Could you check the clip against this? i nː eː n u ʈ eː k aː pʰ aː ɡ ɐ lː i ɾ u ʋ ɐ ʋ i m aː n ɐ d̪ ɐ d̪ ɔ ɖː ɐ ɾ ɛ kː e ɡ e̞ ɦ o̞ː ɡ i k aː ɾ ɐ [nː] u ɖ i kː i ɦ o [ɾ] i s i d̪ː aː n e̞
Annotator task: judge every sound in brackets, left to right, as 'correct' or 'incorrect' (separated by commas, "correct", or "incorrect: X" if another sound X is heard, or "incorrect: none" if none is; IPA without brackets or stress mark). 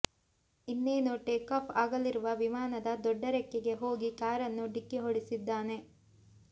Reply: correct, incorrect: ɽ